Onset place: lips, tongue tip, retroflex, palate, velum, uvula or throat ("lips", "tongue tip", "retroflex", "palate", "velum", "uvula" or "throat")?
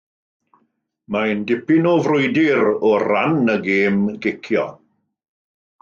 lips